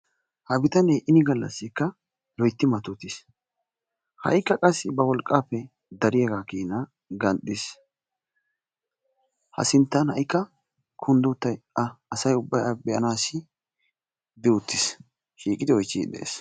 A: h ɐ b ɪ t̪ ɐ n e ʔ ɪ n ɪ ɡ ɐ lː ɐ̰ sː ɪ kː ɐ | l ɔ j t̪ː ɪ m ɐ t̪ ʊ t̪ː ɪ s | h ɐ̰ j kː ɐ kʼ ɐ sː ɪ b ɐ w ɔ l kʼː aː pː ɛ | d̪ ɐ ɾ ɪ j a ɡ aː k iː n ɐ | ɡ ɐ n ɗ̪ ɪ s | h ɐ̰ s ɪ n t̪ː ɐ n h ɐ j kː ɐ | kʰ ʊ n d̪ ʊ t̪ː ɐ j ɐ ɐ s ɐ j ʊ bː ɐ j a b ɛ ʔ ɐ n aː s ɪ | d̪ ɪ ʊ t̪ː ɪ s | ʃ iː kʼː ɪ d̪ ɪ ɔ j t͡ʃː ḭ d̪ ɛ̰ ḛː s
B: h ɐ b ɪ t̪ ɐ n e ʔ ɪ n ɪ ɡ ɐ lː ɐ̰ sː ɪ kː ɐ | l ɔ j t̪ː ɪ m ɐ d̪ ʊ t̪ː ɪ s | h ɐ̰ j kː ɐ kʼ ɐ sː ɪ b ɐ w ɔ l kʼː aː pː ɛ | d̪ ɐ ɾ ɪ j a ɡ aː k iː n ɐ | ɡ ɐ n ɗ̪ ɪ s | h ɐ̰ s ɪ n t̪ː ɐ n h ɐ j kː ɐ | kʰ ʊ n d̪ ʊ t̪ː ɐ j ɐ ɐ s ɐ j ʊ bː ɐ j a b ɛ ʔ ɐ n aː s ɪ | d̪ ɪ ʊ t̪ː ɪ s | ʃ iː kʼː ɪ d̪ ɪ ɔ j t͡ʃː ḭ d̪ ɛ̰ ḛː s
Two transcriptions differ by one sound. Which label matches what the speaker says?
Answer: A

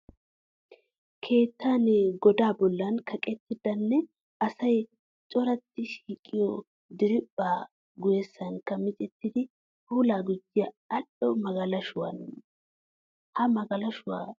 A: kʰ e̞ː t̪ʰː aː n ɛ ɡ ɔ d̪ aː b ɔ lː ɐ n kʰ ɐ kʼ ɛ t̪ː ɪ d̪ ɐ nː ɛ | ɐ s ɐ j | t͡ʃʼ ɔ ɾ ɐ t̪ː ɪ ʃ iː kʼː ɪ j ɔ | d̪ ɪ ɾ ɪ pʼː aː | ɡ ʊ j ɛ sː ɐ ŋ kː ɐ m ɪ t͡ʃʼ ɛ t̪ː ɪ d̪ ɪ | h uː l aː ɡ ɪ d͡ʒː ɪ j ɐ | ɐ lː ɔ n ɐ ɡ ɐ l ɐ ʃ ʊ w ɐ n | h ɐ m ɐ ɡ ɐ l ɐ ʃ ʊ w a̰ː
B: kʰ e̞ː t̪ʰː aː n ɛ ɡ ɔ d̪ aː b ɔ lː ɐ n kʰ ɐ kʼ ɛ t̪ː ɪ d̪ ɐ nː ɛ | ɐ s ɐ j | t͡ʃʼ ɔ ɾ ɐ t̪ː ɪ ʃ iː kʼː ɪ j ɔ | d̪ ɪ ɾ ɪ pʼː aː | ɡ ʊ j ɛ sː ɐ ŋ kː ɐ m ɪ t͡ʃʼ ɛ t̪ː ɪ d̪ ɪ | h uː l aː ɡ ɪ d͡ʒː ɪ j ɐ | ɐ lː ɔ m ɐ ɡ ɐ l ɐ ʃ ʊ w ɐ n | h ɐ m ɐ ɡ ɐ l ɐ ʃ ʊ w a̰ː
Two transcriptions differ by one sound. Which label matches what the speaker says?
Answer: B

